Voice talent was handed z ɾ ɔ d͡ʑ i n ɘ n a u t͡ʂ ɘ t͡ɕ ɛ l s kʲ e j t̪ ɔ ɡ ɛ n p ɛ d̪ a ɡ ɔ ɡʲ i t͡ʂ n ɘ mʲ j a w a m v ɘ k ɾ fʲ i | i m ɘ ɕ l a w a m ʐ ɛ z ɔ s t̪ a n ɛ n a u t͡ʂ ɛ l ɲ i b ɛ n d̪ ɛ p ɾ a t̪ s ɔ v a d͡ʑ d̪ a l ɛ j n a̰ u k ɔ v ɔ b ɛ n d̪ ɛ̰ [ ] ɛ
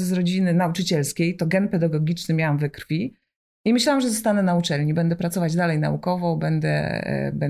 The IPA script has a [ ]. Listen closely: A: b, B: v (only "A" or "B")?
A